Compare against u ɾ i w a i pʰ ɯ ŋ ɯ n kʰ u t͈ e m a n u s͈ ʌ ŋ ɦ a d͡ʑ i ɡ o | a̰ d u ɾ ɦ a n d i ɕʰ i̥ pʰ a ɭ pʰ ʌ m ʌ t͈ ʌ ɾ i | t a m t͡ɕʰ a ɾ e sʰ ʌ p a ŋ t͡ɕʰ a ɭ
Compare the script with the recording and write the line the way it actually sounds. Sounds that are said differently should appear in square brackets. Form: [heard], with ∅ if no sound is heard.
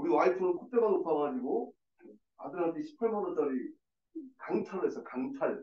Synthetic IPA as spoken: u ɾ i w a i [tʰ] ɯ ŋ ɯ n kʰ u t͈ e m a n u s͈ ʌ ŋ ɦ a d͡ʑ i ɡ o | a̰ d [ɯ] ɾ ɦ a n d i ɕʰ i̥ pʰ a ɭ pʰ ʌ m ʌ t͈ ʌ ɾ i | [k] a [ŋ] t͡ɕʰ a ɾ e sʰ ʌ [k] a ŋ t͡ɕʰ a ɭ